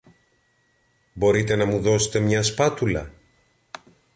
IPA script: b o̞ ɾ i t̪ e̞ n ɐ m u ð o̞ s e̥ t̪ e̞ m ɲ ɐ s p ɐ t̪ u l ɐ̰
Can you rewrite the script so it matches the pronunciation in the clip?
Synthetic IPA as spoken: b o̞ ɾ i t̪ e̞ n ɐ m u ð o̞ s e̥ t̪ e̞ m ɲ ɐ s p ɐ t̪ u l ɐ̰

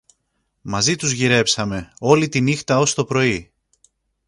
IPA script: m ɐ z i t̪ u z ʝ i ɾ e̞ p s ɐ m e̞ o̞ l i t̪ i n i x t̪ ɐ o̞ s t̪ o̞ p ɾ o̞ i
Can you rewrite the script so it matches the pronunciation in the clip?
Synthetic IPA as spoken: m ɐ z i t̪ u z ʝ i ɾ e̞ p s ɐ m e̞ o̞ l i t̪ i n i x t̪ ɐ o̞ s t̪ o̞ p ɾ o̞ i

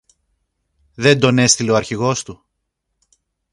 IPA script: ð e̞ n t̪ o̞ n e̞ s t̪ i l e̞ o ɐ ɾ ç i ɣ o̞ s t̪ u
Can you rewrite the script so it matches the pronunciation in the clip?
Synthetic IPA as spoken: ð e̞ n d̪ o̞ n e̞ s t̪ i l e̞ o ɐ ɾ ç i ɣ o̞ s t̪ u

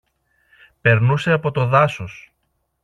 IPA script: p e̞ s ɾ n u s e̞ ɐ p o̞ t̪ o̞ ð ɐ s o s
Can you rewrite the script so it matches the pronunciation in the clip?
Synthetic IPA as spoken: p e̞ ɾ n u s e̞ ɐ p o̞ t̪ o̞ ð ɐ s o s

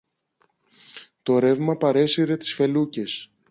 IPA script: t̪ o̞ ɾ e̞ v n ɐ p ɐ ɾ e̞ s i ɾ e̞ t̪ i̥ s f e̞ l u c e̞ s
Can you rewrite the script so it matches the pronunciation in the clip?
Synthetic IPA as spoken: t̪ o̞ ɾ e̞ v m ɐ p ɐ ɾ e̞ s i ɾ e̞ t̪ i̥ s f e̞ l u c e̞ s

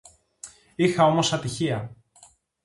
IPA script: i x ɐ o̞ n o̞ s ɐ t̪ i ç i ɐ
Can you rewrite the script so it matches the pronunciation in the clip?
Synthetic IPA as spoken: i x ɐ o̞ m o̞ s ɐ t̪ i ç i ɐ

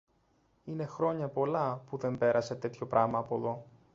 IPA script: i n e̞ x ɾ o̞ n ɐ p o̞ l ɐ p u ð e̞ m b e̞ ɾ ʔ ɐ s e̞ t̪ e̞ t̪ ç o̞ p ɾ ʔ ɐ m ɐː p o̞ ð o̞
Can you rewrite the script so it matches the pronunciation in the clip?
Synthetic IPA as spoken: i n e̞ x ɾ o̞ ɲ ɐ p o̞ l ɐ p u ð e̞ m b e̞ ɾ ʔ ɐ s e̞ t̪ e̞ t̪ ç o̞ p ɾ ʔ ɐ m ɐː p o̞ ð o̞

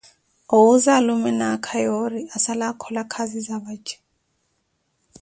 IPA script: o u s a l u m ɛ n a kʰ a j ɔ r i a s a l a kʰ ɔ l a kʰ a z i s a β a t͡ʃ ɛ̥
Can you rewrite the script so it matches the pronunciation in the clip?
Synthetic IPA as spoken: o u z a l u m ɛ n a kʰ a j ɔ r i a s a l a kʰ ɔ l a kʰ a z i z a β a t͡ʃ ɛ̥

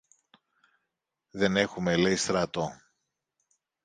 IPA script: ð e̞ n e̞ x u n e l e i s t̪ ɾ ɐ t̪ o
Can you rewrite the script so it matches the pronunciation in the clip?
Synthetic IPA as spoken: ð e̞ n e̞ x u m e l e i s t̪ ɾ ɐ t̪ o

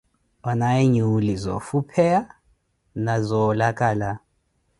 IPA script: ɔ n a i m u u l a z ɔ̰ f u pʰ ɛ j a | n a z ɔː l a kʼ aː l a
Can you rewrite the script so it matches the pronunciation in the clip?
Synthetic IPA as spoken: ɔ n a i ɲ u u l i z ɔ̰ f u pʰ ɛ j a | n a z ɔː l a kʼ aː l a

